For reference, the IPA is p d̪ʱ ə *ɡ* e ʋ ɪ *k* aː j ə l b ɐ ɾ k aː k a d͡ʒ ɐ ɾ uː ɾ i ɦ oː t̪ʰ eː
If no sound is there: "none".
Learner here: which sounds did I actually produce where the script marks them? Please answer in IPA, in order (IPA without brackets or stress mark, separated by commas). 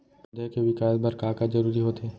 k, k